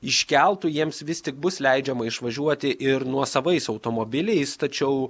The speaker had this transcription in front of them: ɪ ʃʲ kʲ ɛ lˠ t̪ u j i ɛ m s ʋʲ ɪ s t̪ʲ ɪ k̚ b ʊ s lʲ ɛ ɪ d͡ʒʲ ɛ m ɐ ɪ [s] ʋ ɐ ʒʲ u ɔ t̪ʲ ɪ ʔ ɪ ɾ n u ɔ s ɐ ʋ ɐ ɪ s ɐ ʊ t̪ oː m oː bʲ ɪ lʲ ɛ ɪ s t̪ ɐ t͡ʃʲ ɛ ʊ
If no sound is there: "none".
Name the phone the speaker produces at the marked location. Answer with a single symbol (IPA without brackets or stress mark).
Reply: ʃ